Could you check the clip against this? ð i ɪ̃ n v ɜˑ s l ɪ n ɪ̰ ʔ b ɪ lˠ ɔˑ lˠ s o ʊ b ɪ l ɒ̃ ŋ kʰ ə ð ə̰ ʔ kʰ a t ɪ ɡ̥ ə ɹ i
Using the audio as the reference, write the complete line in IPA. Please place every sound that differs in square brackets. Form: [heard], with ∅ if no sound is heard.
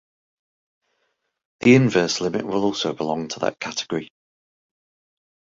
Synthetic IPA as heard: ð i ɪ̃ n v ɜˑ s l ɪ [m] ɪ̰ ʔ [w] ɪ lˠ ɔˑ lˠ s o ʊ b ɪ l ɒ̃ ŋ [tʰ] ə ð ə̰ ʔ kʰ a t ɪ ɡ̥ ə ɹ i